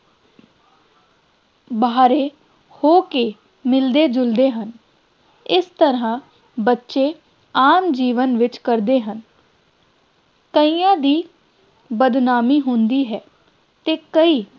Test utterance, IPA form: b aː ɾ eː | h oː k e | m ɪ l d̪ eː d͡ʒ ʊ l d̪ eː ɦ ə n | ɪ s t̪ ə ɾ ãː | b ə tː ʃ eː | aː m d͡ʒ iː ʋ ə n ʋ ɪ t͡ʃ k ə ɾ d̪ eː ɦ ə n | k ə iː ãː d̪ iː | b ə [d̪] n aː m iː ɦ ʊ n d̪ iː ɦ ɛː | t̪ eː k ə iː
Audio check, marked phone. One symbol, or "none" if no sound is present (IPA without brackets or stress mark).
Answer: d̪